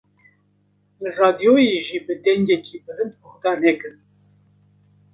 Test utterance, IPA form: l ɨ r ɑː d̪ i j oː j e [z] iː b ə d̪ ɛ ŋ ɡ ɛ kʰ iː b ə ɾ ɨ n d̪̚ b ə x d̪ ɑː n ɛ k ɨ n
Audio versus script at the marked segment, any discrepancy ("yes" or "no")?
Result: yes